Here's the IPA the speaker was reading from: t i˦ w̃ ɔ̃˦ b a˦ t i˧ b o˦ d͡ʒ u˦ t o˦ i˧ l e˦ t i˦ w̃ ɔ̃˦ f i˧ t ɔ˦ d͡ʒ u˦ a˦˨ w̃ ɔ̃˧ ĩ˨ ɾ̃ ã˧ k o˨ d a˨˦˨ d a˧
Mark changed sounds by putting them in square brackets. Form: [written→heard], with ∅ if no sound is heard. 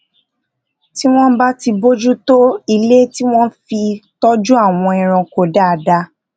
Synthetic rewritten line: t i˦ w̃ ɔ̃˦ b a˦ t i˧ b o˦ d͡ʒ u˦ t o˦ i˧ l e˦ t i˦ w̃ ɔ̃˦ f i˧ t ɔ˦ d͡ʒ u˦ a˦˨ w̃ ɔ̃˧ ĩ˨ ɾ̃ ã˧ k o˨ d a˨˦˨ d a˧